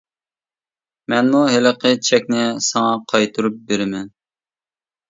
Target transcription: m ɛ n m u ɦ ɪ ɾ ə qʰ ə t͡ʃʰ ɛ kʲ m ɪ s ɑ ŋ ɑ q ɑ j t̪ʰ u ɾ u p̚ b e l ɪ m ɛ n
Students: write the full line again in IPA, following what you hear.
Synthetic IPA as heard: m ɛ n m u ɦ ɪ l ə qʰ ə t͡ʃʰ ɛ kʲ n ɪ s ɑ ŋ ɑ qʰ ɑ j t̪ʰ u ɾ u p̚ b e ɾ ɪ m ɛ n

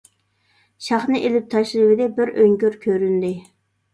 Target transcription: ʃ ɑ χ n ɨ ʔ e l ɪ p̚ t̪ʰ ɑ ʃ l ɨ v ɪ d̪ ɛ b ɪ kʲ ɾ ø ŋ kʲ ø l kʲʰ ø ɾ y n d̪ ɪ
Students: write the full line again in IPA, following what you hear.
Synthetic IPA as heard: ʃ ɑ χ n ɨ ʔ e l ɪ p̚ t̪ʰ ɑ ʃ l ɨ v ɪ d̪ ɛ b ɪ ɾ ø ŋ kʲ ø ɾ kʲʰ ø ɾ y n d̪ ɪ

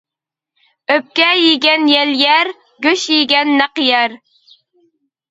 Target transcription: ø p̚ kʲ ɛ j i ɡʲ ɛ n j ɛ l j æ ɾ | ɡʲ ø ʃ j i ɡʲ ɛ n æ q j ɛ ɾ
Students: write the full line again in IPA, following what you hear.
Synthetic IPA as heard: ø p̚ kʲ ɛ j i ɡʲ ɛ n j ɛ l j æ ɾ | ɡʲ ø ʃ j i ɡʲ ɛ nː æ q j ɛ ɾ

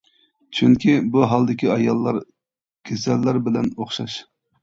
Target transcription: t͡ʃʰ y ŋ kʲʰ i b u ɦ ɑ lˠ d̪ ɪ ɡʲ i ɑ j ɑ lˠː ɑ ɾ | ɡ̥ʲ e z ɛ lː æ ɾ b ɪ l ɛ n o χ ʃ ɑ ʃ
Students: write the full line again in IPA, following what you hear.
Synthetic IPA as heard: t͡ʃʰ y ŋ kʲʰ i b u ɦ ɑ lˠ d̪ ɪ kʲ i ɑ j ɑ lˠː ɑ ɾ | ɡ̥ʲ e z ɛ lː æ ɾ b ɪ l ɛ n o χ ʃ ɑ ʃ

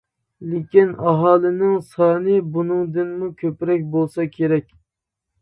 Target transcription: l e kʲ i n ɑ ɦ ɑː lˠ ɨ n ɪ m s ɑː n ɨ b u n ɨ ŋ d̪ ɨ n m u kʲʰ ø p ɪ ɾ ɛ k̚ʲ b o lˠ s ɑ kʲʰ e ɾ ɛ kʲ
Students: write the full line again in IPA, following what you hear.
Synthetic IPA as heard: l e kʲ i n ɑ ɦ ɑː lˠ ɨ n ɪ ŋ s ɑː n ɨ b u n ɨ ŋ d̪ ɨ n m u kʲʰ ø p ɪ ɾ ɛ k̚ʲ b o lˠ s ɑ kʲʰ e ɾ ɛ kʲ

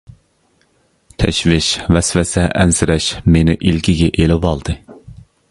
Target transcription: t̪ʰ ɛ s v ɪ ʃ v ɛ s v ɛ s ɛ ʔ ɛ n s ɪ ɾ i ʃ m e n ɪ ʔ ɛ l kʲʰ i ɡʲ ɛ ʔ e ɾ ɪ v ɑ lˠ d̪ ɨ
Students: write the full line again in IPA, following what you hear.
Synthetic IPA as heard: t̪ʰ ɛ ʃ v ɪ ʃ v ɛ s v ɛ s ɛ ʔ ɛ n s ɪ ɾ ɛ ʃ m e n ɪ ʔ i l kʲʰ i ɡʲ ɛ ʔ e l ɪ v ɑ lˠ d̪ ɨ

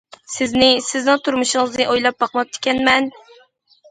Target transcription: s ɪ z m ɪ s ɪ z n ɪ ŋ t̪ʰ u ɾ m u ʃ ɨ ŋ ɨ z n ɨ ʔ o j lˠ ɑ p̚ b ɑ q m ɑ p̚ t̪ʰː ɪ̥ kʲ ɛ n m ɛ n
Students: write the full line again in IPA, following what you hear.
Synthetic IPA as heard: s ɪ z n ɪ s ɪ z n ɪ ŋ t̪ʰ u ɾ m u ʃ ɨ ŋ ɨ z n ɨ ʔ o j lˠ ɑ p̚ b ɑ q m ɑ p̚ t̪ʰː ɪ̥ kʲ ɛ n m ɛ n

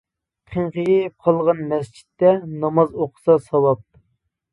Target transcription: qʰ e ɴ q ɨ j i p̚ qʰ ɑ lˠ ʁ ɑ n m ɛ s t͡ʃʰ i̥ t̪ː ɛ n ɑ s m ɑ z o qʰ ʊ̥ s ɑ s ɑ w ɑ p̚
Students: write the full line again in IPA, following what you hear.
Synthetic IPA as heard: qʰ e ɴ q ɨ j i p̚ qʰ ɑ lˠ ʁ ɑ n m ɛ s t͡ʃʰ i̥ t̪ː ɛ n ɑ m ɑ z o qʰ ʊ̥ s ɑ s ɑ w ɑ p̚

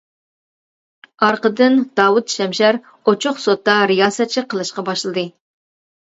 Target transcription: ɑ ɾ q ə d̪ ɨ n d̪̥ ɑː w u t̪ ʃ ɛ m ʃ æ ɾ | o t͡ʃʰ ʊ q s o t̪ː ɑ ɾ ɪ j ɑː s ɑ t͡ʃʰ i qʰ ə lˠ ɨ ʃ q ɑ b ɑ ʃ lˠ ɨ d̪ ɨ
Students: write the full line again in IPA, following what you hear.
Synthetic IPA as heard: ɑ ɾ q ə d̪ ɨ n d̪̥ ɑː w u t̪ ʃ ɛ m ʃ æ ɾ | o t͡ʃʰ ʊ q s o t̪ː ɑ ɾ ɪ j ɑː s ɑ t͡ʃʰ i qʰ ə lˠ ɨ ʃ q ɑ b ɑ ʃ lˠ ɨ d̪ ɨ

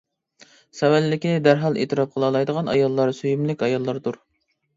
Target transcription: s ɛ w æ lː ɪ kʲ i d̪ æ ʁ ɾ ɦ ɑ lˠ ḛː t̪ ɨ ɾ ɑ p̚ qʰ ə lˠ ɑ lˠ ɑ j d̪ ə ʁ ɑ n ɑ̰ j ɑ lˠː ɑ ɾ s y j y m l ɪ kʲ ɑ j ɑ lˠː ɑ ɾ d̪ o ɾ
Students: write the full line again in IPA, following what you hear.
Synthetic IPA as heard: s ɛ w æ lː ɪ kʲ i d̪ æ ɾ ɦ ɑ lˠ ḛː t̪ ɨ ɾ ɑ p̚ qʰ ə lˠ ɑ lˠ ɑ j d̪ ə ʁ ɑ n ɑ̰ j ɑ lˠː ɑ ɾ s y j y m l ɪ kʲ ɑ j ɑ lˠː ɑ ɾ d̪ u ɾ

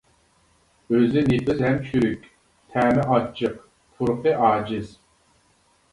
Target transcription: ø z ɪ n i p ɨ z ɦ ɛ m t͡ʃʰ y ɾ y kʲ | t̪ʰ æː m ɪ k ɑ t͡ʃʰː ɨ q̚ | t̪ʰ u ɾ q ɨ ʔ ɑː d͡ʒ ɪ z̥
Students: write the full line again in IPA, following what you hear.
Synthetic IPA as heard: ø z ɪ n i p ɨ z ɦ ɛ m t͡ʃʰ y ɾ y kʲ | t̪ʰ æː m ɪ ʔ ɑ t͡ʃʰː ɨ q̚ | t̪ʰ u ɾ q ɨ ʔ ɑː d͡ʒ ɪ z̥

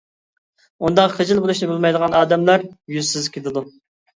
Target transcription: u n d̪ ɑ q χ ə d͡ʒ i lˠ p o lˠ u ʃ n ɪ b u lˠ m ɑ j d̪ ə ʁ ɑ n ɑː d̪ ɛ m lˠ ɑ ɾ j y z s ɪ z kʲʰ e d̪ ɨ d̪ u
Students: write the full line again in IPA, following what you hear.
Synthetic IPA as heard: u n d̪ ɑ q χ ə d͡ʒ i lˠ b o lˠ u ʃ n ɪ b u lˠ m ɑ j d̪ ə ʁ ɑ n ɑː d̪ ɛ m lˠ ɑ ɾ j y z s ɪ z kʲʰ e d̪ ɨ d̪ u

